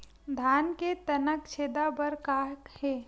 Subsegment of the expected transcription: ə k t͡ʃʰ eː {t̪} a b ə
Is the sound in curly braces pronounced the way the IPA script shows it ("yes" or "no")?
no